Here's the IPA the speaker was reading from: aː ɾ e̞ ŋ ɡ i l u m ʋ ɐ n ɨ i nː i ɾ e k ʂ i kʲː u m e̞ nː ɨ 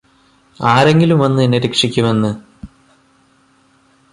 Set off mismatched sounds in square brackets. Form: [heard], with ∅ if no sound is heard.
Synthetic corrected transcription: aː ɾ e̞ ŋ ɡ i l u m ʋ ɐ [nː] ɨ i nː [e] ɾ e k ʂ i kʲː u m e̞ nː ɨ